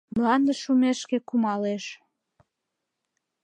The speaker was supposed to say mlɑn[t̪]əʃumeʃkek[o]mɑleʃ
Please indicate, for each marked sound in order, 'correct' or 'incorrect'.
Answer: incorrect: d̪, incorrect: u

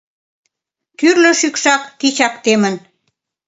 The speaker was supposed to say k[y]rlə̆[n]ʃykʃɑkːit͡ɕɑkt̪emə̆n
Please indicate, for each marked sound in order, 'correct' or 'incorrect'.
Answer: correct, incorrect: none

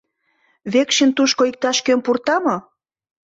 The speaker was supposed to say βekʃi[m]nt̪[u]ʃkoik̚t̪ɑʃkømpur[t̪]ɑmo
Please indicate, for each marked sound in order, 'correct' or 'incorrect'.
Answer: incorrect: none, correct, correct

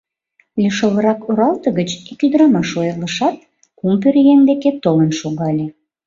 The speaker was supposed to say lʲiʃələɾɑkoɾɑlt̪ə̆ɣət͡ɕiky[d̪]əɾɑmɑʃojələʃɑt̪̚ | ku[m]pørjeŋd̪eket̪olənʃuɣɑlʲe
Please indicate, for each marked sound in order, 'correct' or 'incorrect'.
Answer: correct, correct

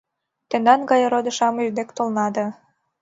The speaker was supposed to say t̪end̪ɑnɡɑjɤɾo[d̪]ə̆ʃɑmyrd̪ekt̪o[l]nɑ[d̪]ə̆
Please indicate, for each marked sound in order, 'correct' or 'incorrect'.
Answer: correct, correct, correct

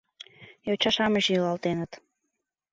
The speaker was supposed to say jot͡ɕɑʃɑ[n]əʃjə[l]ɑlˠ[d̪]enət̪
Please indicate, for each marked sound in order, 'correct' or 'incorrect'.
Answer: incorrect: m, correct, incorrect: t̪

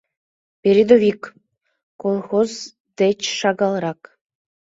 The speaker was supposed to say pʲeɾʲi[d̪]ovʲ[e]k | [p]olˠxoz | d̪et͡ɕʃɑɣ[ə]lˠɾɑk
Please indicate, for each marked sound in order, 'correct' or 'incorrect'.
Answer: correct, incorrect: i, incorrect: k, incorrect: ɑ

